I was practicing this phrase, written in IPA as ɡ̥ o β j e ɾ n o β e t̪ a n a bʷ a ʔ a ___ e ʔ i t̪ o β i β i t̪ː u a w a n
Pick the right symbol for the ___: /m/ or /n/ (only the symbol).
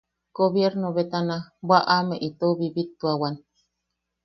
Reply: m